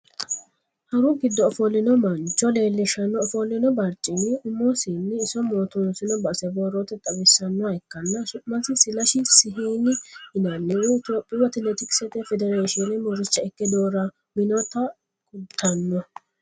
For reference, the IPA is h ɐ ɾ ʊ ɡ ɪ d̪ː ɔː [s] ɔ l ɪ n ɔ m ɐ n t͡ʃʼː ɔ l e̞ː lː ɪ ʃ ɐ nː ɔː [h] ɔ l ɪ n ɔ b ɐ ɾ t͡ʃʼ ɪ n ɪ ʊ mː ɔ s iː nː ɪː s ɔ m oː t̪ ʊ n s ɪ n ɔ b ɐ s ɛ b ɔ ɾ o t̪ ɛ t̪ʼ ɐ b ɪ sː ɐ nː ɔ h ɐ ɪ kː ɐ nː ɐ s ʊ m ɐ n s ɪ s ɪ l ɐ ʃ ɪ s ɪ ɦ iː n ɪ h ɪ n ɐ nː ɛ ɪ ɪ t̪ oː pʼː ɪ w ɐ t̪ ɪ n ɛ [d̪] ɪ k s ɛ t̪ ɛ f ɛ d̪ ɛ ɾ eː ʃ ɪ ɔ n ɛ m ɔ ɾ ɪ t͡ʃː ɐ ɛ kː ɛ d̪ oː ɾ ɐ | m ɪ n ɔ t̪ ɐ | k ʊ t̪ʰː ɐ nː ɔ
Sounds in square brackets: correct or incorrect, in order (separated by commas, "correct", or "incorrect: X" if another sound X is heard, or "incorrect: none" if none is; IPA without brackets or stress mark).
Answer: incorrect: f, incorrect: f, incorrect: t̪